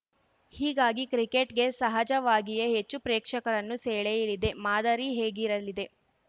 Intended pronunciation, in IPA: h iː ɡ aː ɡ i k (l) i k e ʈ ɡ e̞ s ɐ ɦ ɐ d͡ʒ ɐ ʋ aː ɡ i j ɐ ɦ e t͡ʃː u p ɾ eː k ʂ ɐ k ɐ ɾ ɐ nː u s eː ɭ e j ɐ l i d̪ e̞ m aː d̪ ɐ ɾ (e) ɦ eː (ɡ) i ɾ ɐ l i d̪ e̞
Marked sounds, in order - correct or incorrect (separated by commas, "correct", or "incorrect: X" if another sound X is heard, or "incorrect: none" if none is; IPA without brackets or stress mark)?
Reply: incorrect: ɾ, incorrect: i, correct